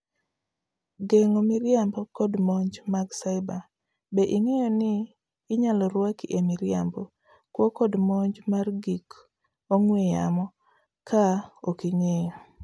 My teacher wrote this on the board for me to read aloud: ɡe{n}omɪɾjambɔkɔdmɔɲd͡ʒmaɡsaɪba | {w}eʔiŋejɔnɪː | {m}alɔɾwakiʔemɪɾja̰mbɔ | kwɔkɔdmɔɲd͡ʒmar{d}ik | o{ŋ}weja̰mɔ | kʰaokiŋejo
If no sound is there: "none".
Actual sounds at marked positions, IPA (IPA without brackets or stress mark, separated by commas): ŋ, b, ɲ, ɡ, ŋ